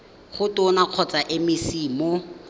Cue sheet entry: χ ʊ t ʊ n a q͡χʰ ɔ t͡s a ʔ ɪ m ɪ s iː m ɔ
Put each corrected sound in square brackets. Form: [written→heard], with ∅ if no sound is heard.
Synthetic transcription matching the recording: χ ʊ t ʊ n a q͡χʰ ɔ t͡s a ʔ ɪ m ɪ s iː m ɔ